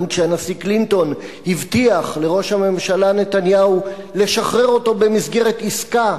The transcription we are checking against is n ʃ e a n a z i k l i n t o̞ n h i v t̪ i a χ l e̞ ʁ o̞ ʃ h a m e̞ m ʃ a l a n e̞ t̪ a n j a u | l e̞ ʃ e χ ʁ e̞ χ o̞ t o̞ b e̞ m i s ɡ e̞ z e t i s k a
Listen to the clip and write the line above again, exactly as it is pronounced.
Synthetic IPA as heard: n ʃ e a n a s i k l i n t o̞ n h i v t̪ i a χ l e̞ ʁ o̞ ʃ h a m e̞ m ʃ a l a n e̞ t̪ a n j a u | l e̞ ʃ a χ ʁ e̞ ʁ o̞ t o̞ b e̞ m i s ɡ e̞ ʁ e t i s k a